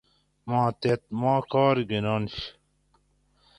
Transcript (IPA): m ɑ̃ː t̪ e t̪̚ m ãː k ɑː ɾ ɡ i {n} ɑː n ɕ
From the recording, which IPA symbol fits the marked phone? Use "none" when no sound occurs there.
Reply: n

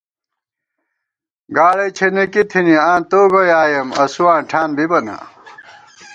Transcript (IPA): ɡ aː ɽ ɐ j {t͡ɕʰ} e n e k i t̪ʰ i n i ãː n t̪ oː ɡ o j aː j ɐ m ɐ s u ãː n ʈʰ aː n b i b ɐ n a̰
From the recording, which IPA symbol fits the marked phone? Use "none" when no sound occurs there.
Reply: t͡ɕʰ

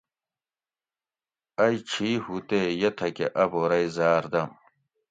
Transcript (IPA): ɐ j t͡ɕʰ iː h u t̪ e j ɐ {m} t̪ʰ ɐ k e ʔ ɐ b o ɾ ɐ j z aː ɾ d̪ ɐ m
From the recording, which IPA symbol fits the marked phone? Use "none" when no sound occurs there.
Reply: none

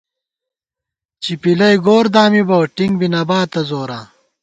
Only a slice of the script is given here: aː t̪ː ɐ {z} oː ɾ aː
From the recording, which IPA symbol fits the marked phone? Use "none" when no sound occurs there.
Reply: z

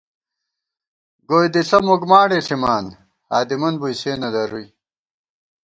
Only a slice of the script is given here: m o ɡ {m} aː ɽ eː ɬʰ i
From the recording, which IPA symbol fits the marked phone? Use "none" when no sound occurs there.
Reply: m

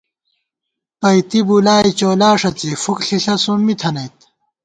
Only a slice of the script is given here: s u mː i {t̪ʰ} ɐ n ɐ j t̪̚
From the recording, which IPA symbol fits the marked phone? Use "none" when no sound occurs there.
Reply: t̪ʰ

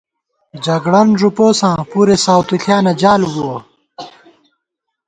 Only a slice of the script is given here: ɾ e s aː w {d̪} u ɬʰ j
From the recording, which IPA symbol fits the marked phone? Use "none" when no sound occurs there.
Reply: t̪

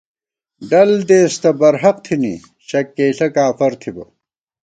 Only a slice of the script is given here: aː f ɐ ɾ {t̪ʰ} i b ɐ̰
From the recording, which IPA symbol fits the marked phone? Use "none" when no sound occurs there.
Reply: t̪ʰ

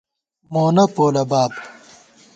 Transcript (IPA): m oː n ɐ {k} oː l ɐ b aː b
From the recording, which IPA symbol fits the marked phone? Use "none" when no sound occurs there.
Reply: p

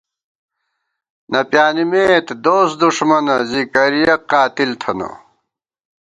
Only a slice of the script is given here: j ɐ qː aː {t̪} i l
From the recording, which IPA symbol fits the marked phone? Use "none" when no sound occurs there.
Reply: t̪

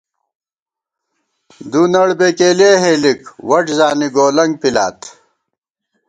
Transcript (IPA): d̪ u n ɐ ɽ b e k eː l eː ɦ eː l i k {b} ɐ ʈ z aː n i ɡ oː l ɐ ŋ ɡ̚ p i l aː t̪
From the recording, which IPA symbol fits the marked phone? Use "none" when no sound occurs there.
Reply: w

